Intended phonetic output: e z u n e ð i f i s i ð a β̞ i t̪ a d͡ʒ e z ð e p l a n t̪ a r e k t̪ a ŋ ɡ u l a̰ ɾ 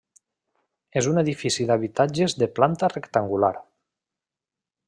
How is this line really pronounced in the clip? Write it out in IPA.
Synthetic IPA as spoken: e z u n e ð i f i s i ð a β̞ i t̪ a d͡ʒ e z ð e p l a n t̪ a r e k t̪ a ŋ ɡ u l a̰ ɾ